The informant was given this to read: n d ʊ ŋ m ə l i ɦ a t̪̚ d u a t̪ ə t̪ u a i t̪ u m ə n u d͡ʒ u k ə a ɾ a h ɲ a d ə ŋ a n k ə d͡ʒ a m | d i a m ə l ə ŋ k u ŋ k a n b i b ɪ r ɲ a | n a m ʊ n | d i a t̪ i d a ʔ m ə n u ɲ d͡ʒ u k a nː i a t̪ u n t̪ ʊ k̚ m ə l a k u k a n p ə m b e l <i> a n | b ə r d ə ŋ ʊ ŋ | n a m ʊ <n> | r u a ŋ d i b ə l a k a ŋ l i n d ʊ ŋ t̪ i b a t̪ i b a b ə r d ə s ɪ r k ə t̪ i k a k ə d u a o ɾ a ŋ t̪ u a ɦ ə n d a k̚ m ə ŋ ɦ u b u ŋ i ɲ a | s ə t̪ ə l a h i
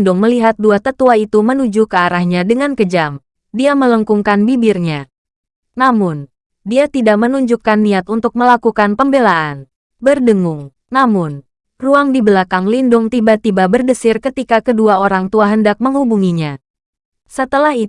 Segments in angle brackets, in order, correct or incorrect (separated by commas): incorrect, correct